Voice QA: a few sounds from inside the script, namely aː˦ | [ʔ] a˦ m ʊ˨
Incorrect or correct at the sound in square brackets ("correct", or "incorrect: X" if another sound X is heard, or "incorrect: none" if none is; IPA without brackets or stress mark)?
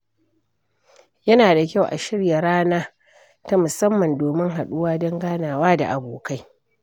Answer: incorrect: t